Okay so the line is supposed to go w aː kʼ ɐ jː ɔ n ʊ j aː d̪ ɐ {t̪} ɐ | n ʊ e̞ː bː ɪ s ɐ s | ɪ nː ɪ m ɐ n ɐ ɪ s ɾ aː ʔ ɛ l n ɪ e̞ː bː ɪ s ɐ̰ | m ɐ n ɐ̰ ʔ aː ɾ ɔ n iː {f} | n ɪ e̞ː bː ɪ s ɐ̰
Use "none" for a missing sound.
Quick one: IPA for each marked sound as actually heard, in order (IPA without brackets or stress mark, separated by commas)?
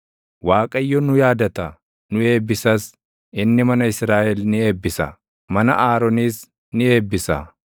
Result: t̪, s